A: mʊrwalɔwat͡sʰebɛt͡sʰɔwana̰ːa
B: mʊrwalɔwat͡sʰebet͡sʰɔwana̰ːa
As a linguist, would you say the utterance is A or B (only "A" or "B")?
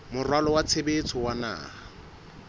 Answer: B